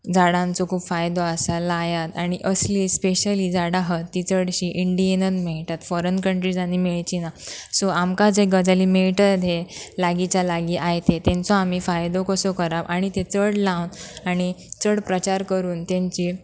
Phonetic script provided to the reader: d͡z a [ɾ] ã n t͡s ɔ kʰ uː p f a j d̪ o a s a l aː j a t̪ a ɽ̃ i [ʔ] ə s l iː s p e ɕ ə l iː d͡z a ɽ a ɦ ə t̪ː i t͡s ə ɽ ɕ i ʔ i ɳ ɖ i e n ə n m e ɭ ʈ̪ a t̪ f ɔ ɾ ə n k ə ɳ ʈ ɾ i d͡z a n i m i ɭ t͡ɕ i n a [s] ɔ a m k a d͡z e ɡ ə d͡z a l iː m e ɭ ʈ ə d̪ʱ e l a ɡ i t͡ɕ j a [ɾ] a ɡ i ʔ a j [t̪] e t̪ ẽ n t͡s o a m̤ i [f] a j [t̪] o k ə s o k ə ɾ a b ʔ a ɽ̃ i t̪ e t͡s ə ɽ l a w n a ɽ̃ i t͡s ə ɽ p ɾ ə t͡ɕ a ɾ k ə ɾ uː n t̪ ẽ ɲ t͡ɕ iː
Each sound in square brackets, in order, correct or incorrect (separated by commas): incorrect, correct, correct, incorrect, correct, correct, incorrect